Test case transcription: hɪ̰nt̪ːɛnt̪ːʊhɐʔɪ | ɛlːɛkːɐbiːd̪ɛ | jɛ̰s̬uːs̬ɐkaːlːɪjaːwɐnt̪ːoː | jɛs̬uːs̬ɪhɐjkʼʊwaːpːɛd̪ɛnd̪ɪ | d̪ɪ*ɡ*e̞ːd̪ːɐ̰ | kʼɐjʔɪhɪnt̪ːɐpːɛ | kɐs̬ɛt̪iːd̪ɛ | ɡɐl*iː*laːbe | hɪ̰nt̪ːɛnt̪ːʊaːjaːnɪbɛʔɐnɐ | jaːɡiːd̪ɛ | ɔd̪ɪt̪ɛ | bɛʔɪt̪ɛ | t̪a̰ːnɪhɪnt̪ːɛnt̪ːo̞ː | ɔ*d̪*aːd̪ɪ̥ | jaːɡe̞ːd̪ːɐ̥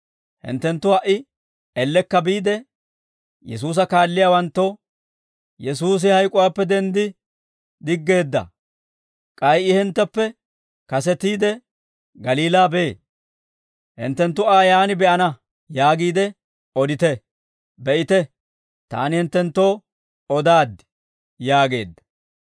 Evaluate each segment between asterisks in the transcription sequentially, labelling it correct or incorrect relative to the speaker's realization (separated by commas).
incorrect, correct, correct